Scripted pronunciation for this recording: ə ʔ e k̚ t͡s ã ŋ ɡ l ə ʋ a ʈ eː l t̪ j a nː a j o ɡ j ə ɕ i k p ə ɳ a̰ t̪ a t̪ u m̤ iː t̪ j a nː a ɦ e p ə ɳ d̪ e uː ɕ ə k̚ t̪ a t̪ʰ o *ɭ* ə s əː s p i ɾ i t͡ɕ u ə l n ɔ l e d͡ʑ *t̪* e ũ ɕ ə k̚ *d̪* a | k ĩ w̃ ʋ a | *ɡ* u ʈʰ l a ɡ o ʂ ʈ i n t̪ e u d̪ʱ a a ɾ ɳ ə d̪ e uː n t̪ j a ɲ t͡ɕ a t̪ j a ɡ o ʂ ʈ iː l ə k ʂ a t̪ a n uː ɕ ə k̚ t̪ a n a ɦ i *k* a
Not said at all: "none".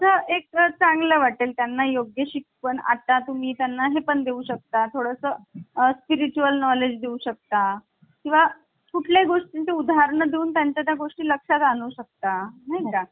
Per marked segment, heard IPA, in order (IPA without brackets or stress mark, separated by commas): ɽ, d̪, t̪, k, k